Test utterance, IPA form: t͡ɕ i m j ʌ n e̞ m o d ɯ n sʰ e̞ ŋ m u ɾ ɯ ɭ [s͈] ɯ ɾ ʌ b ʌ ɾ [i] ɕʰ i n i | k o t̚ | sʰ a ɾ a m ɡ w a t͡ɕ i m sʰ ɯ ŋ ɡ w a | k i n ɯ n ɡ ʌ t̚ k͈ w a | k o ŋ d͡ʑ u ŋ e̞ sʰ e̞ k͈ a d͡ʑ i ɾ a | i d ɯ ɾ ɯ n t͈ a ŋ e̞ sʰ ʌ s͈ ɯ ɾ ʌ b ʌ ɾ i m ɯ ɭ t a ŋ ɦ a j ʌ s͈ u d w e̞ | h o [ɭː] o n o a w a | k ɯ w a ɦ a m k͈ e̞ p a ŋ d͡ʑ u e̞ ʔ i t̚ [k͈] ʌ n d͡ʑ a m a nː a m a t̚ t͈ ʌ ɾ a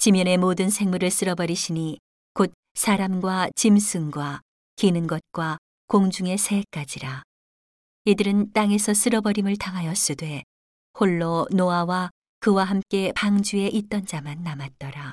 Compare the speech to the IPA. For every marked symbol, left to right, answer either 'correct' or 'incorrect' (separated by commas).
correct, correct, correct, incorrect